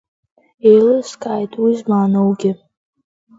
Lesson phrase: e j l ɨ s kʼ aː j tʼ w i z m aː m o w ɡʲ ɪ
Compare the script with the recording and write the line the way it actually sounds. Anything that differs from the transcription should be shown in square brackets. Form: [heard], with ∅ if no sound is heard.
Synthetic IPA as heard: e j l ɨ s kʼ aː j tʼ w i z m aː [n] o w ɡʲ ɪ